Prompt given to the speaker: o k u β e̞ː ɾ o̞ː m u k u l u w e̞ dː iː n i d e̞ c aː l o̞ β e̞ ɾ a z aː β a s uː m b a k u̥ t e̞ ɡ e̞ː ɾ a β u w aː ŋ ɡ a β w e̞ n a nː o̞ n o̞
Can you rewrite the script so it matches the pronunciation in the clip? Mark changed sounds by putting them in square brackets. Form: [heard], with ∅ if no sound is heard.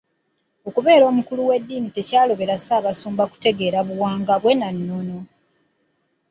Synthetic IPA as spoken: o k u β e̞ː ɾ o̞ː m u k u l u w e̞ dː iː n i [t] e̞ c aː l o̞ β e̞ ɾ a [s] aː β a s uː m b a k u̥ t e̞ ɡ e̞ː ɾ a β u w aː ŋ ɡ a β w e̞ n a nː o̞ n o̞